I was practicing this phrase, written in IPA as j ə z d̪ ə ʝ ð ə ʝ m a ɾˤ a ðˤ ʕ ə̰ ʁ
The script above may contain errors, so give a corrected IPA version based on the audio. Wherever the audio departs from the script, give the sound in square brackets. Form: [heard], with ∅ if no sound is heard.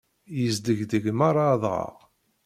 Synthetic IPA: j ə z d̪ ə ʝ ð ə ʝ m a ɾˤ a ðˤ [ʁ] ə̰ ʁ

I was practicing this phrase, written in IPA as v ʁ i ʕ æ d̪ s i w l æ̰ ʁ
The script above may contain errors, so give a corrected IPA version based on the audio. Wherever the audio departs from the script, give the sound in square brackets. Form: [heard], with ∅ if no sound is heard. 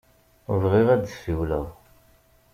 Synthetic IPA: v ʁ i [ʁ] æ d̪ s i w l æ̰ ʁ

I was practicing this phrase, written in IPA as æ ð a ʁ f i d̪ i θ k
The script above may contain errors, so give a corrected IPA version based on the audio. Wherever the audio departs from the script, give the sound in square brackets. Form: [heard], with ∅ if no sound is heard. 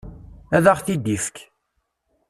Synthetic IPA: æ ð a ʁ [θ] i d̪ i [f] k

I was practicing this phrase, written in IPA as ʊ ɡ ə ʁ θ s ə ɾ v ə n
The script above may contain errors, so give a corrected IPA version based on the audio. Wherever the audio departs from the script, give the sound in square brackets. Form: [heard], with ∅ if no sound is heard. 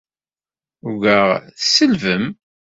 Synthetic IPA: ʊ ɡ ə ʁ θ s ə [l] v ə [m]

